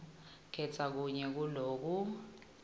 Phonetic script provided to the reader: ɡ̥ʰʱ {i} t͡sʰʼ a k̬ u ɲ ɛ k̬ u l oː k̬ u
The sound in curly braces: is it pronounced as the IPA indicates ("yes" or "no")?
no